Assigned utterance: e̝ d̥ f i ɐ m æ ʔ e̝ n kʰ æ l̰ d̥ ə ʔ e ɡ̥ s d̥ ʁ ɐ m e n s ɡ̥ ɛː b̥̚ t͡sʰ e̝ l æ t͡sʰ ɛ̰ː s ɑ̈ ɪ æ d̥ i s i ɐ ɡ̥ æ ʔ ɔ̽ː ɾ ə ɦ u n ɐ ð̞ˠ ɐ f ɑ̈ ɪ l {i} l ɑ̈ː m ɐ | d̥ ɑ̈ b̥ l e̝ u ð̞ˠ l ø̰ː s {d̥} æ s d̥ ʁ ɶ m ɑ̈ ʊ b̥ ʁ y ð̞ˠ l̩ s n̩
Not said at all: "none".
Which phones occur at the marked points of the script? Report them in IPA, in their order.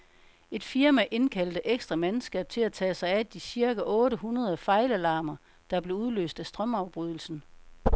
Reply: æ, d̥

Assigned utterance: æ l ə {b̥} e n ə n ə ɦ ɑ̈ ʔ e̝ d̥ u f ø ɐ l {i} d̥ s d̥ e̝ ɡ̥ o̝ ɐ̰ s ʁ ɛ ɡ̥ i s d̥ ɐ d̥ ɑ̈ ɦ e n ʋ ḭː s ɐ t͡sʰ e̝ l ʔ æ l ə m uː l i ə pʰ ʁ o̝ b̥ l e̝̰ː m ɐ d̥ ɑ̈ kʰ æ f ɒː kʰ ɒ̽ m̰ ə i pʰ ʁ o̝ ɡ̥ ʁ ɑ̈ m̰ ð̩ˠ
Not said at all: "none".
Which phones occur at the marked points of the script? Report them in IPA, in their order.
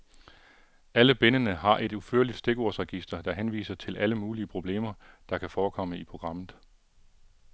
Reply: b̥, i

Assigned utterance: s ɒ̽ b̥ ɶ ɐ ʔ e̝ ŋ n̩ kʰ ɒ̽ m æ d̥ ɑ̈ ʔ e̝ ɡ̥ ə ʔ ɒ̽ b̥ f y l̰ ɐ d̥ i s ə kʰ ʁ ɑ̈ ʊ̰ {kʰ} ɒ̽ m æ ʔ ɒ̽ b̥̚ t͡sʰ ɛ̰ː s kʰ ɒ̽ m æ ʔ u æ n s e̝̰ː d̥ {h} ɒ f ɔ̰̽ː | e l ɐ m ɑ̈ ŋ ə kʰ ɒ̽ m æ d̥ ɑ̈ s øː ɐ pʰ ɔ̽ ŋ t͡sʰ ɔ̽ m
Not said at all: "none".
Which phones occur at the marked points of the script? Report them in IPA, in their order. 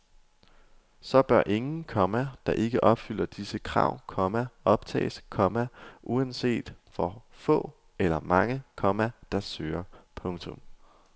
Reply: kʰ, f

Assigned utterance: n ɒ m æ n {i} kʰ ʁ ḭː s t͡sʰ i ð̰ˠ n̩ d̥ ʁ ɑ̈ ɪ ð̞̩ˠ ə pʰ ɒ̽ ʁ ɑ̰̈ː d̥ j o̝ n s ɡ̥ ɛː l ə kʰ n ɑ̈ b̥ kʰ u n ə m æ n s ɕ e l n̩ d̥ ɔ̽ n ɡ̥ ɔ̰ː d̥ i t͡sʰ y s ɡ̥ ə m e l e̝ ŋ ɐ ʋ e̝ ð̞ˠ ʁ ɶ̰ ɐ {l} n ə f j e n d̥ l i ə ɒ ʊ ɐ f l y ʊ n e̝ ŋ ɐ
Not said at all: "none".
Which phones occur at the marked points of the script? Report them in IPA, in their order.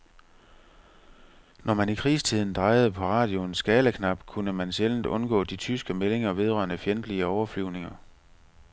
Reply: i, none

